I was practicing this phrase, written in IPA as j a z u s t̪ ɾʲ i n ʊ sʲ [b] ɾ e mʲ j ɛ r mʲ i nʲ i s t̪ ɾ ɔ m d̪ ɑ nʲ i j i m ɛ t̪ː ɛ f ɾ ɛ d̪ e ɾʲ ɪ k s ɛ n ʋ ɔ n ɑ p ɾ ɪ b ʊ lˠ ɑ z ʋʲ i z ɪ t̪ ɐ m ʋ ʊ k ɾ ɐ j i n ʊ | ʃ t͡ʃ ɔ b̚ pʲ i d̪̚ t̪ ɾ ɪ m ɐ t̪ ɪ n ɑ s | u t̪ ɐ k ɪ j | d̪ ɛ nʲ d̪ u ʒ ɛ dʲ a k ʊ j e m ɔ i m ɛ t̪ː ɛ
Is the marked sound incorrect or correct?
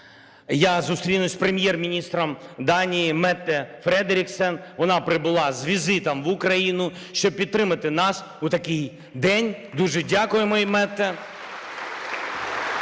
incorrect